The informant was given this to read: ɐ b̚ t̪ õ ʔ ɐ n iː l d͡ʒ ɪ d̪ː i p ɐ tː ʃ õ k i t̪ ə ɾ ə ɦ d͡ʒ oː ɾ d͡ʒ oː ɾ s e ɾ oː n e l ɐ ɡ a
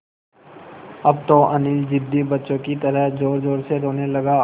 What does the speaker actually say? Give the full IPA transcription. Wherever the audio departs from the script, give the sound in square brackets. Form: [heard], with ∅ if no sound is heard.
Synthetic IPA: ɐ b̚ t̪ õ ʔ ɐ n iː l d͡ʒ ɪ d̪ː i [b] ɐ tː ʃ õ k i t̪ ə ɾ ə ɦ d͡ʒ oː ɾ d͡ʒ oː ɾ s e ɾ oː n e l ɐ ɡ a

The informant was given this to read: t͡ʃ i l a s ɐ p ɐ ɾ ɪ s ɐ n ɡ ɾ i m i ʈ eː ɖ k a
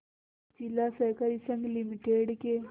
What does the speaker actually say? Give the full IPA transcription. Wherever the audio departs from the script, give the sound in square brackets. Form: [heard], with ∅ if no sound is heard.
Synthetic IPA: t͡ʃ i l a s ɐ [k] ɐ ɾ [i] s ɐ [ŋ] ɡ [l] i m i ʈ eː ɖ k [e]

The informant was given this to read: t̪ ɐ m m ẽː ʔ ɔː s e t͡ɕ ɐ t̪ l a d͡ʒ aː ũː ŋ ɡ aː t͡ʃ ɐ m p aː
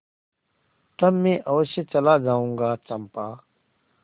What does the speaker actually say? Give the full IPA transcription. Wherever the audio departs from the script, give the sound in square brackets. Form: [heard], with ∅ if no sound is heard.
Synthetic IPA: t̪ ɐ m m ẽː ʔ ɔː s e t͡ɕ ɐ [∅] l a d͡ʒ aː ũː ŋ ɡ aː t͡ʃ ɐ m p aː

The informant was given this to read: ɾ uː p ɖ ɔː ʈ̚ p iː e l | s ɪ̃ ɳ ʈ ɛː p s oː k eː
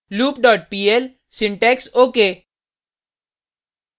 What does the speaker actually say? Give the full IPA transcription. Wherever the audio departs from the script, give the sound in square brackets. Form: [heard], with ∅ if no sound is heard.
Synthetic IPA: [l] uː p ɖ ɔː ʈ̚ p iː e l | s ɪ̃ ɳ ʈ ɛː [k] s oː k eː

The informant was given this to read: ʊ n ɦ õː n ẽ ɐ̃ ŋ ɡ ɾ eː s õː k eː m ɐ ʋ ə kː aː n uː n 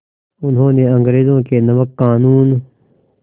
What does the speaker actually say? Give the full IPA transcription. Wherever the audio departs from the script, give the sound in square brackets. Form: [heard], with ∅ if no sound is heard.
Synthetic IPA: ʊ n ɦ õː n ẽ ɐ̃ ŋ ɡ ɾ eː [z] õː k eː [n] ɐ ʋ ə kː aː n uː n

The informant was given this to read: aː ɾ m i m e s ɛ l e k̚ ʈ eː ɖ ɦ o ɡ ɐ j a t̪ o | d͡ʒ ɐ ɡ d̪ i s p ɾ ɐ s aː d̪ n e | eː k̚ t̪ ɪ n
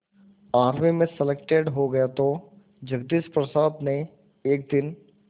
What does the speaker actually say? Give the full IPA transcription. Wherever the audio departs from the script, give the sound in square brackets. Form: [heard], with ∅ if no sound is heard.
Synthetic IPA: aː ɾ m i m [ẽ] s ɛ l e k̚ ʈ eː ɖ ɦ o ɡ ɐ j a t̪ o | d͡ʒ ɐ ɡ d̪ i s p ɾ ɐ s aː d̪ n e | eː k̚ [d̪] ɪ n

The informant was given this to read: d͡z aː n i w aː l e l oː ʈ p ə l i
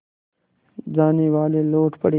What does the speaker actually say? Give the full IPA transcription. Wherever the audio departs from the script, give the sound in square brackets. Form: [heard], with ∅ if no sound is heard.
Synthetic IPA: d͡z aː n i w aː l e l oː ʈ p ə [ɽ] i

